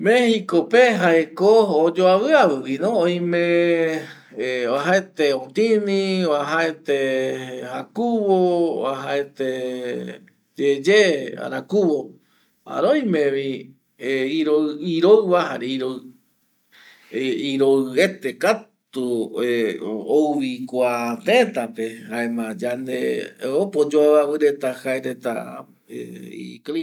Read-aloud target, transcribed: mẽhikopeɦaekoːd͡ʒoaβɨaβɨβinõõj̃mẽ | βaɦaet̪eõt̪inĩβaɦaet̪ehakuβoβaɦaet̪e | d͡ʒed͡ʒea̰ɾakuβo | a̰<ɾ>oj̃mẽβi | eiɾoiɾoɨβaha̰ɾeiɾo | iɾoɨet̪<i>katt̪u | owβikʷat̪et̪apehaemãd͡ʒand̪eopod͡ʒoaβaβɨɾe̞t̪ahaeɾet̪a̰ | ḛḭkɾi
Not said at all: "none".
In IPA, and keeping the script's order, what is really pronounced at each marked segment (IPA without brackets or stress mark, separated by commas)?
ɾ, e